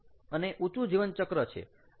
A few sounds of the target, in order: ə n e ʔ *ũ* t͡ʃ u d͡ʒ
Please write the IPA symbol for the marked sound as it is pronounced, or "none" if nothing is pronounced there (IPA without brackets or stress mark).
u